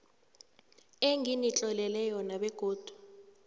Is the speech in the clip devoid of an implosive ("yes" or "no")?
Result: no